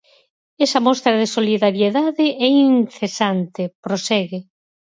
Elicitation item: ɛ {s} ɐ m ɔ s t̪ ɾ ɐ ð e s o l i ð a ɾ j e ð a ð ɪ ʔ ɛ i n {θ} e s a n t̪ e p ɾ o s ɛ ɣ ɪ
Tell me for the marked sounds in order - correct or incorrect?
correct, correct

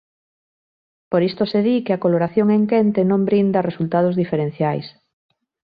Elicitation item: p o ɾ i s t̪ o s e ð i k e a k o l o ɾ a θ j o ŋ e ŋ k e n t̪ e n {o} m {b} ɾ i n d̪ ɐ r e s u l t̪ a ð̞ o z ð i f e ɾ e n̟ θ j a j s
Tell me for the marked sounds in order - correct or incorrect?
incorrect: õ, correct

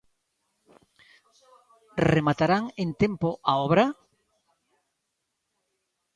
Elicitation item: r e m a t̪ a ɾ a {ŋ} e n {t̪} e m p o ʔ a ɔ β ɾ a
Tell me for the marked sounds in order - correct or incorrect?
correct, correct

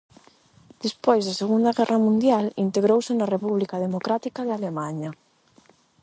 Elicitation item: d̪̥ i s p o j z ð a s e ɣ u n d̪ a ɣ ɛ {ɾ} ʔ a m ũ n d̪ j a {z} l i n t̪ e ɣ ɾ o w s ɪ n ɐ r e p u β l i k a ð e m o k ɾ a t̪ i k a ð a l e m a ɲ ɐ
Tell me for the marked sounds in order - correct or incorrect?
incorrect: r, incorrect: none

